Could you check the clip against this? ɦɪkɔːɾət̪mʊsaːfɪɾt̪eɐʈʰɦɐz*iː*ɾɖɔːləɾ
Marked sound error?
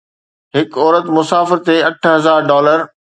yes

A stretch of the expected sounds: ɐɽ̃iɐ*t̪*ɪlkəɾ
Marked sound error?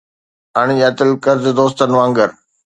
no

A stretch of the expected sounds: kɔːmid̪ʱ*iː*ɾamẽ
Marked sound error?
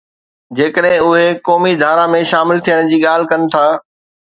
yes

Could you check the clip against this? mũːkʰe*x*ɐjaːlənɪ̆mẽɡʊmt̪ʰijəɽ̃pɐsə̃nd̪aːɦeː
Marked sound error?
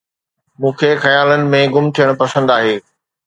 no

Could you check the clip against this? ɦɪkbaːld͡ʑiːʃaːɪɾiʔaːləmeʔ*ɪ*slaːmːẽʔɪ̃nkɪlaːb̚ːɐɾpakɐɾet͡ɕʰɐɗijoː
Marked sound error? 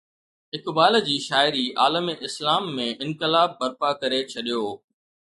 no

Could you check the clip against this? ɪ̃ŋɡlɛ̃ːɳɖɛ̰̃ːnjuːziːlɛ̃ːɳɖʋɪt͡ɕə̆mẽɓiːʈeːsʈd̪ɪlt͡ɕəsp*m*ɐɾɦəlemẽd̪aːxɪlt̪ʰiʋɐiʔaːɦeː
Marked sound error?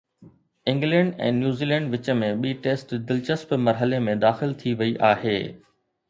no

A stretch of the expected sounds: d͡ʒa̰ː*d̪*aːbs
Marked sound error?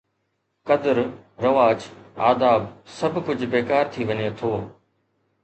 no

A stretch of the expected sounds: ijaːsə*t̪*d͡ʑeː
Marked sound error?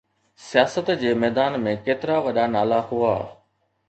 no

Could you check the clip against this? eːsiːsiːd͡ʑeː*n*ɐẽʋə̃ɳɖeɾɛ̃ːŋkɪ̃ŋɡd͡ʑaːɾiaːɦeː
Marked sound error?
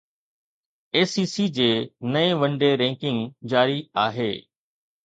no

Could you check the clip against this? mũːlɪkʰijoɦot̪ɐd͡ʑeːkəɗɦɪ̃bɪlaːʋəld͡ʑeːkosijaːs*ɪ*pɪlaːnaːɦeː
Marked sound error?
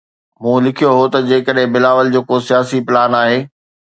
yes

